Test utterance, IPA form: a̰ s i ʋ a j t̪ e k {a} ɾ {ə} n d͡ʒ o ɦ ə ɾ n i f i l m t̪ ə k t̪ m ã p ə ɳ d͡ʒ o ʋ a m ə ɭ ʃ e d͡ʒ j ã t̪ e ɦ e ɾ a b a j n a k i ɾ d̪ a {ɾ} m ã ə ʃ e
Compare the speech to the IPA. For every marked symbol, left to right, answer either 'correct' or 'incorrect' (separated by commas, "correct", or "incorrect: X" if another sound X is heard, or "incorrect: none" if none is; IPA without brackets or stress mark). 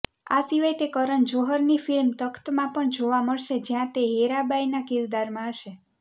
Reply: incorrect: ə, correct, correct